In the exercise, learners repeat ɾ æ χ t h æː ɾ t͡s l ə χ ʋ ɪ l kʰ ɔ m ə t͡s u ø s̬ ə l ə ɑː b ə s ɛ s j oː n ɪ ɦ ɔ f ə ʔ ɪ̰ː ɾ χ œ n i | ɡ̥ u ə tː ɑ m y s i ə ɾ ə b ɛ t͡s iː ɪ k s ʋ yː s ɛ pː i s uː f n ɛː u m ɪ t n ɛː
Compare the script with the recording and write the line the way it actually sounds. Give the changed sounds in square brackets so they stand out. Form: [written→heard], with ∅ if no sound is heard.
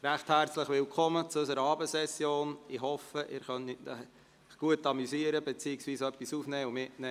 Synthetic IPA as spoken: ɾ æ χ t h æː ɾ t͡s l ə χ ʋ ɪ l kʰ ɔ m ə t͡s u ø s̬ ə [l→ɾ] ə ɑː b ə s ɛ s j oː n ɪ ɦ ɔ f ə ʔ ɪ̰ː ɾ χ œ n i | ɡ̥ u ə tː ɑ m y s i ə ɾ ə b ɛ t͡s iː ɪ k s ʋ [yː→iː] s [ɛ→œ] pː i s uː f n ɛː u m ɪ t n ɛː

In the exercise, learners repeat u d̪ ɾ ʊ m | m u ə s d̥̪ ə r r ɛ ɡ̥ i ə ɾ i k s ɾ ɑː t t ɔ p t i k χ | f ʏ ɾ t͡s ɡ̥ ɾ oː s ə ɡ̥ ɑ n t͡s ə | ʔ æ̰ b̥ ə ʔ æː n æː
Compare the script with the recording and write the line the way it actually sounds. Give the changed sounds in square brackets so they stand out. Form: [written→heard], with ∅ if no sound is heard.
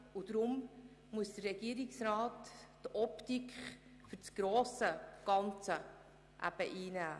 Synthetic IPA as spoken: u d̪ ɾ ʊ m | m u ə s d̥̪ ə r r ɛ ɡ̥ i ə ɾ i k s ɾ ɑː t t ɔ p t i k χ | f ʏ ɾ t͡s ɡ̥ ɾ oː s ə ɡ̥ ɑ n t͡s ə | ʔ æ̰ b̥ ə ʔ [æː→iː] n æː

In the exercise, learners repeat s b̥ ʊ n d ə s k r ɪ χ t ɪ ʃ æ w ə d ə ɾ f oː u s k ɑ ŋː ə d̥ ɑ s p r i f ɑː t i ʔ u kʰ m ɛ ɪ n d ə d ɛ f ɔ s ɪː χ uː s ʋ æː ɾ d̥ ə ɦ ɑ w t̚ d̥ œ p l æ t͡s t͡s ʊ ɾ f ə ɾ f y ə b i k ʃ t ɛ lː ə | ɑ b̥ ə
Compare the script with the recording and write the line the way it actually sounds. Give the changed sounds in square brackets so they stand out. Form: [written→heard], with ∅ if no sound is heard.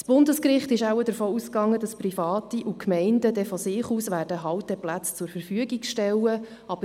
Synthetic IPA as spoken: s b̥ ʊ n d ə s k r ɪ χ t ɪ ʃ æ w ə d ə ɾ f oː u s k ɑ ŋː ə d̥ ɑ s p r i f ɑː t i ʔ u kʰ m ɛ ɪ n d ə d ɛ f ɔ s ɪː χ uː s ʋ æː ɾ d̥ ə ɦ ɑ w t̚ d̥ [œ→ɛ] p l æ t͡s t͡s ʊ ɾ f ə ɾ f y ə [b→ɡ] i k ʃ t ɛ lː ə | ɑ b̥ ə

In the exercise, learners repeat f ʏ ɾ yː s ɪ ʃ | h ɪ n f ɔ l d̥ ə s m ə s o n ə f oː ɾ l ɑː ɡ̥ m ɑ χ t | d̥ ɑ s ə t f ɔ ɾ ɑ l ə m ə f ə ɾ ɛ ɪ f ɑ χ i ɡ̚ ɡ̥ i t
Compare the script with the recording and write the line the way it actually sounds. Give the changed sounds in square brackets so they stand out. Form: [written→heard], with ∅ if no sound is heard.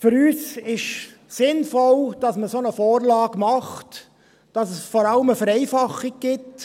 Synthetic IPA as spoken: f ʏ ɾ yː s ɪ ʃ | [h→s] ɪ n f ɔ l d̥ [ə→ɑ] s m ə s o n ə f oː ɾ l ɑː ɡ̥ m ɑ χ t | d̥ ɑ s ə [t→s] f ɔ ɾ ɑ l ə m ə f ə ɾ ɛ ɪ f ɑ χ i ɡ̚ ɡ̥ [i→ɪ] t

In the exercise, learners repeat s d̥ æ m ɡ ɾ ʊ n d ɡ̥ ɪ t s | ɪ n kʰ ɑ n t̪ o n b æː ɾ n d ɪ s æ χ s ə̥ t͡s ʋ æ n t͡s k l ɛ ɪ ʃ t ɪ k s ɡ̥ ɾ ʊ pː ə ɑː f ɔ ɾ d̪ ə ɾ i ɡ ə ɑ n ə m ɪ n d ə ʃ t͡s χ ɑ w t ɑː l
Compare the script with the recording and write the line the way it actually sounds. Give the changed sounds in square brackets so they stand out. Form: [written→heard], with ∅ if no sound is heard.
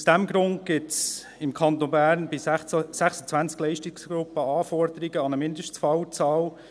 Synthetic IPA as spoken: s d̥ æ m ɡ ɾ ʊ n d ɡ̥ ɪ t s | ɪ [n→m] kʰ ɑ n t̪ o n b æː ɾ n [d→b] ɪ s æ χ s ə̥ t͡s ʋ æ n t͡s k l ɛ ɪ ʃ t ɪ k s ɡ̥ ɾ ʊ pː ə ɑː f ɔ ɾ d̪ ə ɾ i ɡ ə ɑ n ə m ɪ n d ə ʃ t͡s [χ→f] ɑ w [t→t͡s] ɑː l

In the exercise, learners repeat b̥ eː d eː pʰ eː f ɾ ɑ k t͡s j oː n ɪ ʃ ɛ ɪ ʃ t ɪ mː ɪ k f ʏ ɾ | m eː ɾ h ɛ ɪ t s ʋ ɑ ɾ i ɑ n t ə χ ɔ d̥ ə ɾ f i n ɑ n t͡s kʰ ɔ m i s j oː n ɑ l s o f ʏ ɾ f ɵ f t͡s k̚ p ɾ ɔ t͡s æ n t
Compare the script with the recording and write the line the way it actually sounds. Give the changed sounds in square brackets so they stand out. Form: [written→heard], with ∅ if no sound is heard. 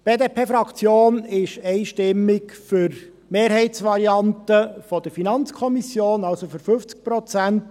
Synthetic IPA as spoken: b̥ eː d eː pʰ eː f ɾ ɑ k t͡s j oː n ɪ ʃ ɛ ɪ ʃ t ɪ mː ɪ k f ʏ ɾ | m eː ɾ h ɛ ɪ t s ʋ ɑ ɾ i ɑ n t ə [χ→f] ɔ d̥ ə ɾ f i n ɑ n t͡s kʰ ɔ m i s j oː n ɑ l s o f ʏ ɾ f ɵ f t͡s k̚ p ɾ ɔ t͡s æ n t

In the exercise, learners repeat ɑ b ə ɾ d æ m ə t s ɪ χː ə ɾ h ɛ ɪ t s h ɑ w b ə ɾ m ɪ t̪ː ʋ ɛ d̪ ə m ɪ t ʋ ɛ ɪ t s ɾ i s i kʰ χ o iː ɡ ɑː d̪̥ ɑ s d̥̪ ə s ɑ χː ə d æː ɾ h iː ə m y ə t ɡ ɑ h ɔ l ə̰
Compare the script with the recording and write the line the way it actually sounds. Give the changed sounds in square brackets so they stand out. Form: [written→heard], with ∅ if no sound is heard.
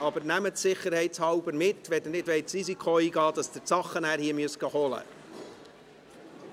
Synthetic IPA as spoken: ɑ b ə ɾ [d→n] æ m ə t s ɪ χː ə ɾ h ɛ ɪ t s h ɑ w b ə ɾ m ɪ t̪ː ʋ ɛ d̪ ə [m→n] ɪ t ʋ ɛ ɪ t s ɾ i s i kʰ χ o iː ɡ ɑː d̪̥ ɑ s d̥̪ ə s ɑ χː ə [d→n] æː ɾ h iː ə m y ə [t→s] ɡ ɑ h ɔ l ə̰

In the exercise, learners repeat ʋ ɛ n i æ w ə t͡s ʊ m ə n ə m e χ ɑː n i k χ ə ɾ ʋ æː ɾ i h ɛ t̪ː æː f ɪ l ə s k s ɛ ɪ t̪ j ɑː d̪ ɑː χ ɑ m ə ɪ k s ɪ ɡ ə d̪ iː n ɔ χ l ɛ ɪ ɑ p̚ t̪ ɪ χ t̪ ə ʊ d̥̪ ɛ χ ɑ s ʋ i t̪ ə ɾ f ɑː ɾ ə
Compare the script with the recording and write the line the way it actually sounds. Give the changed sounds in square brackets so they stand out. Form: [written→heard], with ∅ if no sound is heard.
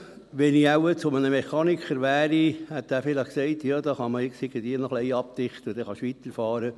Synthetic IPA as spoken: ʋ ɛ n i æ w ə t͡s ʊ m ə n ə m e χ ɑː n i k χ ə ɾ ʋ æː ɾ i h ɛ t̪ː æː f ɪ l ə [s→χ] k s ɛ ɪ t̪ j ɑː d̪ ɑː χ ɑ m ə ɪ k s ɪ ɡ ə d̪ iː n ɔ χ l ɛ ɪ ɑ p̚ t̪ ɪ χ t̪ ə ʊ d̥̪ ɛ χ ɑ [s→ʃ] ʋ i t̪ ə ɾ f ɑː ɾ ə

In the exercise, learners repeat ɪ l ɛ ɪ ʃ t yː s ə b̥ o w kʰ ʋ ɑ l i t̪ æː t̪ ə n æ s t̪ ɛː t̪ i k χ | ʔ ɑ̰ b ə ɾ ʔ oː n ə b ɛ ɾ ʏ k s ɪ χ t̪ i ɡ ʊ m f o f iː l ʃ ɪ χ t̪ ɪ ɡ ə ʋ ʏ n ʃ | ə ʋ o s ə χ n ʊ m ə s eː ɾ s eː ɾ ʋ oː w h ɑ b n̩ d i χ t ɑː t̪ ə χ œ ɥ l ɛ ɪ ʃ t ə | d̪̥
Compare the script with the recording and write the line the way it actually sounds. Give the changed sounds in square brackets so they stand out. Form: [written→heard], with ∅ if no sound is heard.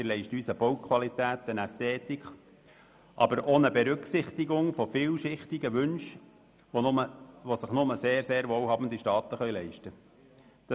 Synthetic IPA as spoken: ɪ l ɛ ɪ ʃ t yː s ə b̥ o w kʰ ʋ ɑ l i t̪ æː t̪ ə n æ s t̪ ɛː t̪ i k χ | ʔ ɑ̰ b ə ɾ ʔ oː n ə b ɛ ɾ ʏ k s ɪ χ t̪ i ɡ ʊ [m→ŋ] f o f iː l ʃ ɪ χ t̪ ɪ ɡ ə ʋ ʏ n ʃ | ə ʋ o s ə χ n ʊ m ə s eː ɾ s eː ɾ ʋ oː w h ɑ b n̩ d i [χ→ʃ] t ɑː t̪ ə χ œ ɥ l ɛ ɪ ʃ t ə | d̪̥

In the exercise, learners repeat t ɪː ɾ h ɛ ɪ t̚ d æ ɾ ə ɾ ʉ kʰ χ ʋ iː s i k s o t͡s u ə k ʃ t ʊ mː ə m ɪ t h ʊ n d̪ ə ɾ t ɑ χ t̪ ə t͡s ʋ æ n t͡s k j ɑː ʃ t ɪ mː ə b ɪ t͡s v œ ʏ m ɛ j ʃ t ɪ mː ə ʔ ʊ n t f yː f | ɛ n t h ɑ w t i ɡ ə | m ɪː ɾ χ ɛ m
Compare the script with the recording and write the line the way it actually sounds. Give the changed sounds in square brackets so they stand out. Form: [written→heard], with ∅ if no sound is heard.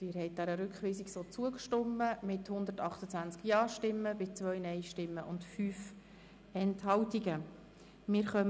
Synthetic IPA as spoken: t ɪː ɾ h ɛ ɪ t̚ d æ ɾ ə ɾ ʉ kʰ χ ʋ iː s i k s o t͡s u ə k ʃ t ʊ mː ə m ɪ t h ʊ n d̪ ə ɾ t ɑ χ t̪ ə t͡s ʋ æ n t͡s k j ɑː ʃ t ɪ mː ə b ɪ t͡s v œ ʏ [m→n] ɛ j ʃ t ɪ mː ə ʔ ʊ n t f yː f | ɛ n t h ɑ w t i ɡ ə | m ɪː ɾ χ [ɛ→œ] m

